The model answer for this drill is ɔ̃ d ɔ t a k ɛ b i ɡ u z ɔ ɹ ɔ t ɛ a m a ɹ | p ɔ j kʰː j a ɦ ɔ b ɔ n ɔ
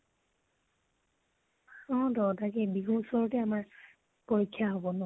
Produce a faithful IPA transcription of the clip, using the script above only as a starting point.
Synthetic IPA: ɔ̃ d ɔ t a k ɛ b i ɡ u s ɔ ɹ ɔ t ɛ a m a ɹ | p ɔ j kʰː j a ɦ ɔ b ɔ n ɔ